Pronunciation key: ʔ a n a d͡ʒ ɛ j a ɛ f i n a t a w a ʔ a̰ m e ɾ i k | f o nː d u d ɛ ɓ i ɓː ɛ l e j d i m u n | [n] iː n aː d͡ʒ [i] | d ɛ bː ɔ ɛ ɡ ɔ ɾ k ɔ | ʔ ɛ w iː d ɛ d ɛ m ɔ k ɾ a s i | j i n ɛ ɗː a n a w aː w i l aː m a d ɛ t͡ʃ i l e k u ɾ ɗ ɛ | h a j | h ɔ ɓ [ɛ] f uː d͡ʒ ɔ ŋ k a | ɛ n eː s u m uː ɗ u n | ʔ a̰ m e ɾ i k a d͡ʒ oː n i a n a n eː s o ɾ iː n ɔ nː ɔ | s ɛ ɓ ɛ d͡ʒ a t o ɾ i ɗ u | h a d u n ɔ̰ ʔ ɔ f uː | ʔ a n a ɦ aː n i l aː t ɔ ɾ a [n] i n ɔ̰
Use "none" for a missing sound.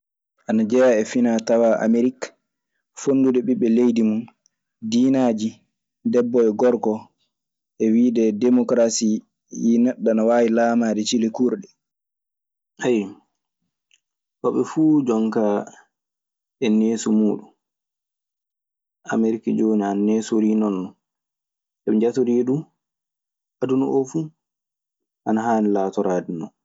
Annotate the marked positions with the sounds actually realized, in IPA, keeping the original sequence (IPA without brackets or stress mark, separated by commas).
d, i, ɛ, d